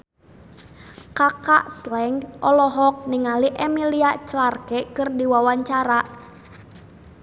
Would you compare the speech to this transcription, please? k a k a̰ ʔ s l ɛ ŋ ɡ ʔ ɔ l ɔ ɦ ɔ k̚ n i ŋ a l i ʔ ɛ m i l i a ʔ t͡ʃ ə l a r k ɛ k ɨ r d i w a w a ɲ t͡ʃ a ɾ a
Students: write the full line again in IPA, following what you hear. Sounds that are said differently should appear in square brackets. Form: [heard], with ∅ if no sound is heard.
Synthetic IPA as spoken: k a k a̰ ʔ s l ɛ ŋ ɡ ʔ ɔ l ɔ ɦ ɔ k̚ n i ŋ a l i ʔ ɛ m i l i a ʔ t͡ʃ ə l a r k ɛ k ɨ r d i w a w a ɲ t͡ʃ a ɾ a